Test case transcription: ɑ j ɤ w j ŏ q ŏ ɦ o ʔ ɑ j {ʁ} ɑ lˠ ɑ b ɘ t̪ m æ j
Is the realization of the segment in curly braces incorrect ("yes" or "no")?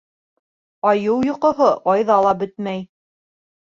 yes